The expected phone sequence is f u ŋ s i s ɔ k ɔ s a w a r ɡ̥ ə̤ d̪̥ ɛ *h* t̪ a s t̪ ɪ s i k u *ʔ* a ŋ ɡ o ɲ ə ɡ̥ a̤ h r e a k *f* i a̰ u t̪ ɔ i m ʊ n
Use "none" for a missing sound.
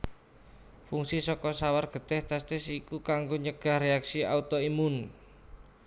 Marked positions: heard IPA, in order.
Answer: h, k, s

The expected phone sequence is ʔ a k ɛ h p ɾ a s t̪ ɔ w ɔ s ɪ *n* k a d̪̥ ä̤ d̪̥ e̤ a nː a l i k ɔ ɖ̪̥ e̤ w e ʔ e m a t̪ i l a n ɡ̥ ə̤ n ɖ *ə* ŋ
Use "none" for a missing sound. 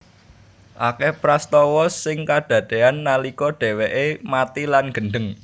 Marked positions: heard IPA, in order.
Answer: ŋ, ə

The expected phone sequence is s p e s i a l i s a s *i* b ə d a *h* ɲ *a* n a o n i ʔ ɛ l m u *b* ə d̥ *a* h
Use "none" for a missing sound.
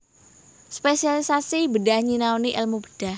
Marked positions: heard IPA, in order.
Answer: i, h, i, b, a

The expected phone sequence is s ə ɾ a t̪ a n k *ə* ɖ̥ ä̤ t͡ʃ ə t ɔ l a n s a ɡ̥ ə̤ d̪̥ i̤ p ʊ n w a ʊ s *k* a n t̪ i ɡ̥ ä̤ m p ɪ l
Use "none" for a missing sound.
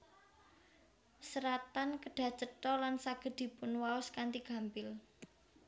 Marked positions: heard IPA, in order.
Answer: ə, k

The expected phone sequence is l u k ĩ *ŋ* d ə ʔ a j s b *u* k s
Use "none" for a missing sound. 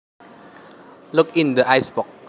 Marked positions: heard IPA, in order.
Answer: n, ɔ

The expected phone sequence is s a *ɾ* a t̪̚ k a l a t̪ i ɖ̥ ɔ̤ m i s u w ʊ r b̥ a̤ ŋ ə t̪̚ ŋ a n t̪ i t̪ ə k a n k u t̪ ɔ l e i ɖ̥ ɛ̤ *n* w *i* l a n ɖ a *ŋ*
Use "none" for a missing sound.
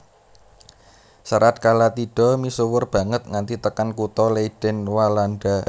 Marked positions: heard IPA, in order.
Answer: ɾ, n, a, none

